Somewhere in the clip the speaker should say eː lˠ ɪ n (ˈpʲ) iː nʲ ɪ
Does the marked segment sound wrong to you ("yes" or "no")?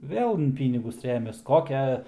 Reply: no